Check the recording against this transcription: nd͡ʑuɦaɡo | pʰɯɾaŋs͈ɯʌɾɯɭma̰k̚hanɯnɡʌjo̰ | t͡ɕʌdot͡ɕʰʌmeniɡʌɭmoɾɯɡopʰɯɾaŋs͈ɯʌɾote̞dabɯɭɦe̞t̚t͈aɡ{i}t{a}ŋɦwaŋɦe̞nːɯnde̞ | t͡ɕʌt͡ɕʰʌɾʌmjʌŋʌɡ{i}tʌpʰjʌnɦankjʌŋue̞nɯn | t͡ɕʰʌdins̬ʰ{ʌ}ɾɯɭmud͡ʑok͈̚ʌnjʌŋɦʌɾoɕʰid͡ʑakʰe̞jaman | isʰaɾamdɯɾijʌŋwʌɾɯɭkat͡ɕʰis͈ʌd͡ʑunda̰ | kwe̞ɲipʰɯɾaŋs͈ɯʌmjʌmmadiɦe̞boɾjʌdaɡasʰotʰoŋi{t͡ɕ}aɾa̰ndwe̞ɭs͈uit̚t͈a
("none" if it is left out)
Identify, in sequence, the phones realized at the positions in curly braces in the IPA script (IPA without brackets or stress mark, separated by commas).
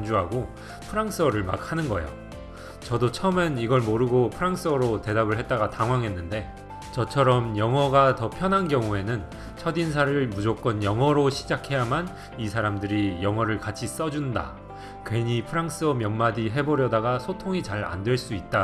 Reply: a, a, a, a, t͡ɕ